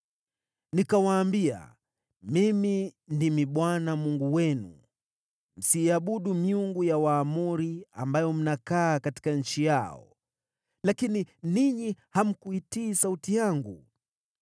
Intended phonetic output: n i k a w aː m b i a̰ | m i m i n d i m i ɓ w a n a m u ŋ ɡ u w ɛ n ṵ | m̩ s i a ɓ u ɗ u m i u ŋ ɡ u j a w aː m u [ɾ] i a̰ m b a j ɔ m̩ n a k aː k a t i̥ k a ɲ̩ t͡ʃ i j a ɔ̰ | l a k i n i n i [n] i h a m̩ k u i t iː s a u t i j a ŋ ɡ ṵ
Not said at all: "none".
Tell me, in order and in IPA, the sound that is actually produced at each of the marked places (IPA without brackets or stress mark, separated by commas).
ɾ, ɲ